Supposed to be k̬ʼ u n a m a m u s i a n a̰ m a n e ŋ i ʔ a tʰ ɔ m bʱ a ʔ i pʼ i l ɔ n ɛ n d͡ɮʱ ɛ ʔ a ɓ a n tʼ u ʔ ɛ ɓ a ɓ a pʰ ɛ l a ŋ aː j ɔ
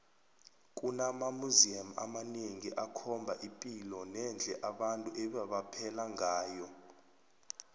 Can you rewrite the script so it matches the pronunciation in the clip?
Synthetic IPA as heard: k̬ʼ u n a m a m u z i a m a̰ m a n e ŋ i ʔ a kʰ ɔ m bʱ a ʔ i pʼ i l ɔ n ɛ n d͡ɮʱ ɛ ʔ a ɓ a n tʼ u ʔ ɛ ɓ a ɓ a pʰ ɛ l a ŋ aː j ɔ